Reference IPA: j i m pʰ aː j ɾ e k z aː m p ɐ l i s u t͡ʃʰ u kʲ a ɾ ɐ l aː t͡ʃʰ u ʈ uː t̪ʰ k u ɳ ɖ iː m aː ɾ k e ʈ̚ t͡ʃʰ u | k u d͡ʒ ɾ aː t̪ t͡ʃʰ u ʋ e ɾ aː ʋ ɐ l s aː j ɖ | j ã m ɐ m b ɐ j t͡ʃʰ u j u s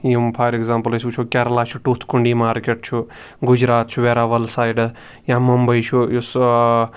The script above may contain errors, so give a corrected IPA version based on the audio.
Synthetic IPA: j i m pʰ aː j ɾ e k z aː m p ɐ l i s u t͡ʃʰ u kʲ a ɾ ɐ l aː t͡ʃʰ u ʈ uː t̪ʰ k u ɳ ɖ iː m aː ɾ k e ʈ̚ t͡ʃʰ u | ɡ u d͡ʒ ɾ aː t̪ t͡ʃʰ u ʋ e ɾ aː ʋ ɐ l s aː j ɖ | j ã m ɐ m b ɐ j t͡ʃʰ u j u s